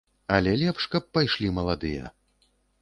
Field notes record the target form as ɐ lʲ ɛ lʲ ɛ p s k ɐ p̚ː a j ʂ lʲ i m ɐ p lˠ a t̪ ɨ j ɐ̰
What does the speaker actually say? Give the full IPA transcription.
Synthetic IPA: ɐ lʲ ɛ lʲ ɛ p ʂ k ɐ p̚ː a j ʂ lʲ i m ɐ lˠ a d̪ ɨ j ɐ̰